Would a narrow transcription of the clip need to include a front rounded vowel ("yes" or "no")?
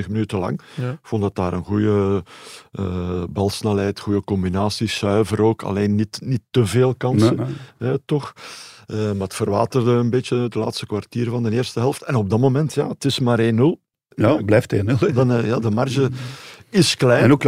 yes